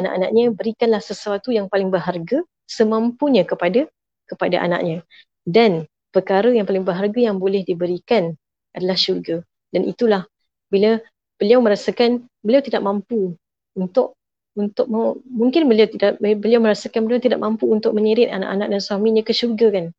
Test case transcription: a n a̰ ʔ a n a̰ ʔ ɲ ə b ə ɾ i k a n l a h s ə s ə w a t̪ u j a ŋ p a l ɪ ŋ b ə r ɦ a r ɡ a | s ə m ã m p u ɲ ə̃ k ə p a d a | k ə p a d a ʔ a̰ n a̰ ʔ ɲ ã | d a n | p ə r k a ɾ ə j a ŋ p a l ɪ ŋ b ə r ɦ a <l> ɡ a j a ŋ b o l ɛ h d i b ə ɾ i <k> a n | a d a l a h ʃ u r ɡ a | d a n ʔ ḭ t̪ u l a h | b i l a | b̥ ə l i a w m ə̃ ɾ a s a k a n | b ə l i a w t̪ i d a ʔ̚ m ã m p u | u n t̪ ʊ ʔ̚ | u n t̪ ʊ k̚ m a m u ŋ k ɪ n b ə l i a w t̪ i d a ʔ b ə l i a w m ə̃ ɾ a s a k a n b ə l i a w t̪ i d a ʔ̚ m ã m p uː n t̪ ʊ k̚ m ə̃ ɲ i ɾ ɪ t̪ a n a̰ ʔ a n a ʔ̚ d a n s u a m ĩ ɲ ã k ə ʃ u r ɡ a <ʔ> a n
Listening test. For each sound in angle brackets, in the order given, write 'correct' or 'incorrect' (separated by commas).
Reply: incorrect, correct, incorrect